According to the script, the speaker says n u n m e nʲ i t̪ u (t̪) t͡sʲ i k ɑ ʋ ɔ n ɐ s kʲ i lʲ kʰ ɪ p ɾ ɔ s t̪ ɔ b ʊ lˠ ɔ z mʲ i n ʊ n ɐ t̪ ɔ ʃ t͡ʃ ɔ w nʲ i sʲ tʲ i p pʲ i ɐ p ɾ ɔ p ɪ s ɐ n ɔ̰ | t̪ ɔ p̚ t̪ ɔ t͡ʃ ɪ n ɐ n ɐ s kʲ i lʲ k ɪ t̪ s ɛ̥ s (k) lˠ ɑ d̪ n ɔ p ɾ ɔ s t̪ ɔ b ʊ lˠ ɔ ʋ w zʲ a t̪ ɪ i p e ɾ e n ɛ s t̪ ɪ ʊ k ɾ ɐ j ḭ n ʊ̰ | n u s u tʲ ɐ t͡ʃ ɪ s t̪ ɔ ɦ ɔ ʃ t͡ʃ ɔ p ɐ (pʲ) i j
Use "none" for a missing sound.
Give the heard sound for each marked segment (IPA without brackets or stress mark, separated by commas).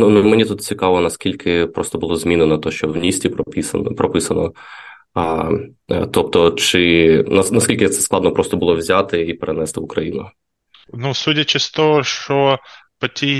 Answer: t̪, k, tʲ